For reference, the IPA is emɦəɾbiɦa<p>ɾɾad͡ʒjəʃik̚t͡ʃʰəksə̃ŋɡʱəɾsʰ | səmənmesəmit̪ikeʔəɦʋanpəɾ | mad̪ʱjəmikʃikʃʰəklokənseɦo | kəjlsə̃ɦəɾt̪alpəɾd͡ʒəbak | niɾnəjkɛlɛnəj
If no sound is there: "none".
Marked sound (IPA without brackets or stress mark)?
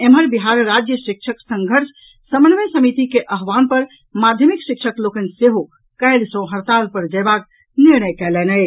none